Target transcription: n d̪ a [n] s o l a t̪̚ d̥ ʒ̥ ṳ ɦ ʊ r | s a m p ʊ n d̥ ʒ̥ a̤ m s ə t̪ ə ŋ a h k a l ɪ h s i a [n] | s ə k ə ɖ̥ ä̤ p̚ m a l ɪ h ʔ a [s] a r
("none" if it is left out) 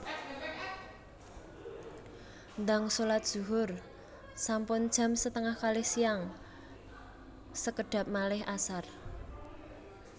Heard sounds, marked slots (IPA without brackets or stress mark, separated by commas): ŋ, ŋ, s